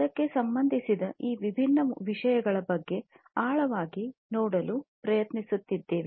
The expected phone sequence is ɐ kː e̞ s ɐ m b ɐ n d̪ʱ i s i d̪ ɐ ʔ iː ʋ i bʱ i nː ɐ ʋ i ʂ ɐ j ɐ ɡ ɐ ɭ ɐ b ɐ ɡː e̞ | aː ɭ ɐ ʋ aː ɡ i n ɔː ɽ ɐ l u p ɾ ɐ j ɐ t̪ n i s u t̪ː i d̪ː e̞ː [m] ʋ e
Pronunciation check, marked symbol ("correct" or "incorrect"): incorrect